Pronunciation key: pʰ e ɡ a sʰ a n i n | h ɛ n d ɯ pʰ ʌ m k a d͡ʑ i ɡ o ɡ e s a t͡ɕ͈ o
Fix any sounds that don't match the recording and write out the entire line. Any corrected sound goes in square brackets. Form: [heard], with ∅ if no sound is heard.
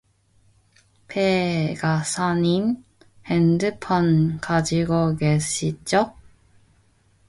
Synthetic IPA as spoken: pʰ e ɡ a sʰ a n i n | h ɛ n d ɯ pʰ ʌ [n] k a d͡ʑ i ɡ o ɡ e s [i] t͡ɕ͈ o